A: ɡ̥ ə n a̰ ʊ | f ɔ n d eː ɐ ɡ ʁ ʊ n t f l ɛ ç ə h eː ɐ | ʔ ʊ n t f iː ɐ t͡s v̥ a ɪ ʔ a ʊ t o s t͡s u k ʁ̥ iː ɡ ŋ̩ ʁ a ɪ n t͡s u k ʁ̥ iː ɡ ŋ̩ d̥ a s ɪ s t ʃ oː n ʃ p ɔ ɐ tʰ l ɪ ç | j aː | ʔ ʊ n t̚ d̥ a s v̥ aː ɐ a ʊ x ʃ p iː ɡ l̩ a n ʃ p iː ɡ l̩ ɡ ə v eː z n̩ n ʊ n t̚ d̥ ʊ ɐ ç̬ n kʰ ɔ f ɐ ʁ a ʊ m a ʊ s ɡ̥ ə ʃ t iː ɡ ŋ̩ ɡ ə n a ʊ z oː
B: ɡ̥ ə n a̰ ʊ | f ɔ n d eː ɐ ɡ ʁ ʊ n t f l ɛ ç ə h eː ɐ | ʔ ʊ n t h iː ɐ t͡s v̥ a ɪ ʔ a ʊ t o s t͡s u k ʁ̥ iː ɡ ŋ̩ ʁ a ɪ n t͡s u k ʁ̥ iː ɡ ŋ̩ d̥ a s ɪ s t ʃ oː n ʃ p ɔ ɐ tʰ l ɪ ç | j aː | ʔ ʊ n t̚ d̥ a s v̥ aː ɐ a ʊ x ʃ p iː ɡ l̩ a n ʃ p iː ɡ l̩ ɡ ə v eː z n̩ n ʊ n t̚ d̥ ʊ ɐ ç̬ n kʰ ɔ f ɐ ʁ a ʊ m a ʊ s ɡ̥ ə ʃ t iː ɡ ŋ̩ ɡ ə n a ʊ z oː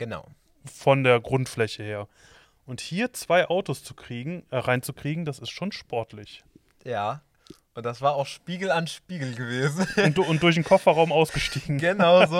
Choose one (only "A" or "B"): B